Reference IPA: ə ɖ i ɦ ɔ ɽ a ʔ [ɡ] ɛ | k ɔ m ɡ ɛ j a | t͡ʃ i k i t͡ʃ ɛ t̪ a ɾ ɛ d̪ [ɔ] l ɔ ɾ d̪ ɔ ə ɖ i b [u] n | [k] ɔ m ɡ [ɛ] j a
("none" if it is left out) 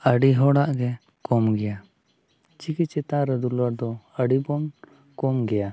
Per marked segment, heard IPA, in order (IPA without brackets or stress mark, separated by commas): ɡ, u, ɔ, k, ɛ